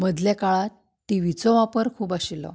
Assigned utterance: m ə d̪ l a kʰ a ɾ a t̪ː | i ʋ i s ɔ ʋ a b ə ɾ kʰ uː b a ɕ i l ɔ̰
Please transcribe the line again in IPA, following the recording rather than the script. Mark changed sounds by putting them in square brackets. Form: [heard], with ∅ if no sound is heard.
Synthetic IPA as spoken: m ə d̪ l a [k] a [ɭ] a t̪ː | i ʋ i [t͡s] ɔ ʋ a [p] ə ɾ kʰ uː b a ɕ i l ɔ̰